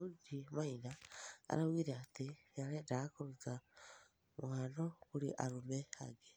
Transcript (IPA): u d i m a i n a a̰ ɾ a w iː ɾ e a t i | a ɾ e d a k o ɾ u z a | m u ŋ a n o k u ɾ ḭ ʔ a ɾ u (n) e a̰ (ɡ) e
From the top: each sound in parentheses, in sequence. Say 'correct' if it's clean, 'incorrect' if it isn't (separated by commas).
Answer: incorrect, correct